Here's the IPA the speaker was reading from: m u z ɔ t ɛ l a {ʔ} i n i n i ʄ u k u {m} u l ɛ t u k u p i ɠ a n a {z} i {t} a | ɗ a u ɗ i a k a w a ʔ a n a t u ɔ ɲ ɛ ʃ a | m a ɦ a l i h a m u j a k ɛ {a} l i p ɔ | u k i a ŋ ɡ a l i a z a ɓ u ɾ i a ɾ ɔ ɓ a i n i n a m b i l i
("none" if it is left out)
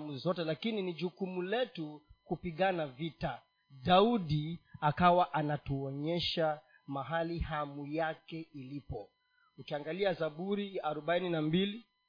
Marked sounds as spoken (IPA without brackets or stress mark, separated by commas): k, m, v, t, i